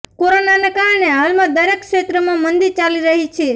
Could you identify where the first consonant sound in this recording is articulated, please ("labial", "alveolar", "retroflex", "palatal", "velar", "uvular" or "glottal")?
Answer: velar